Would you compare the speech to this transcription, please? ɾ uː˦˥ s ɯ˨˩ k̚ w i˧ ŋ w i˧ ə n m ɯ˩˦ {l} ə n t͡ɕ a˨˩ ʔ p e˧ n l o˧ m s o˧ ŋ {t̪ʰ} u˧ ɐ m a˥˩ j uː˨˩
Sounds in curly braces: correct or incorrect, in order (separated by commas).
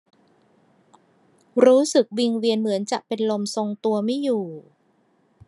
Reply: incorrect, incorrect